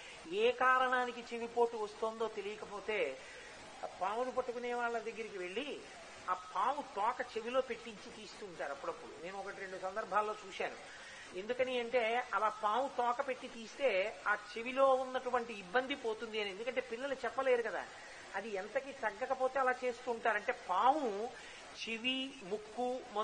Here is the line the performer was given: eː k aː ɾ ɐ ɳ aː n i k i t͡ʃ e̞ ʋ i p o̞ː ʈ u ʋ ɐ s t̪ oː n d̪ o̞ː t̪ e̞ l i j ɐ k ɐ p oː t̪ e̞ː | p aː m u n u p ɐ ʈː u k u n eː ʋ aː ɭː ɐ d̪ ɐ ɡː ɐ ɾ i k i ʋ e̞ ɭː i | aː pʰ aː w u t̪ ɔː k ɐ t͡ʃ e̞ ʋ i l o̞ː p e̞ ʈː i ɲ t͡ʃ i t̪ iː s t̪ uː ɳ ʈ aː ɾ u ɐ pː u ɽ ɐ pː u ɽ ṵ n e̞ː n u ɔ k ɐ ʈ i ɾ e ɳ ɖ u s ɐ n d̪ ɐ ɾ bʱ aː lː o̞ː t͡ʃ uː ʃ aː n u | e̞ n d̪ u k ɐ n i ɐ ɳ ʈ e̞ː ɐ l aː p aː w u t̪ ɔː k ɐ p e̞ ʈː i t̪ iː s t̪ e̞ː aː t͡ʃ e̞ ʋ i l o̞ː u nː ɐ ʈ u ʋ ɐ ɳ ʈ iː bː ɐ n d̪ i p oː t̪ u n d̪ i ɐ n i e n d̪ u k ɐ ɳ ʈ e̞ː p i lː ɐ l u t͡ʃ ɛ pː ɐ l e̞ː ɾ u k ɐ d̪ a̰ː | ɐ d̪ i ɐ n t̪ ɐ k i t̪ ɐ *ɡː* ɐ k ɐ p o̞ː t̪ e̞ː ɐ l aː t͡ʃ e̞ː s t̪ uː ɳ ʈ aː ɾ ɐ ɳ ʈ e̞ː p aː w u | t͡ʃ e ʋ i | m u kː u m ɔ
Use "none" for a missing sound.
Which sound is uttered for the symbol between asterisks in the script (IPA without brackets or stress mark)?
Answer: ɡː